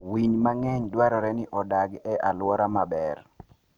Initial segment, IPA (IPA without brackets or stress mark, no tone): w